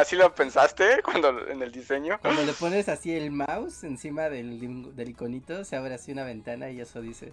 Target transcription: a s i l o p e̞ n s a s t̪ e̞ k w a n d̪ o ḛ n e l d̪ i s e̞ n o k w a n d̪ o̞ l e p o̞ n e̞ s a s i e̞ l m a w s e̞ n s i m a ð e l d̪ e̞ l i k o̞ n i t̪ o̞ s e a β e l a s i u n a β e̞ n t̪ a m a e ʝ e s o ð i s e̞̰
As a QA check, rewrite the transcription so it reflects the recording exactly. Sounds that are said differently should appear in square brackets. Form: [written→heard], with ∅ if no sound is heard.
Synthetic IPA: a s i l o p e̞ n s a s t̪ e̞ k w a n d̪ o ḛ n e l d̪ i s e̞ [n→ɲ] o k w a n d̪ o̞ l e p o̞ n e̞ s a s i e̞ l m a w s e̞ n s i m a ð e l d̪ e̞ l i k o̞ n i t̪ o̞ s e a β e [l→ɾ] a s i u n a β e̞ n t̪ a [m→n] a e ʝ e s o ð i s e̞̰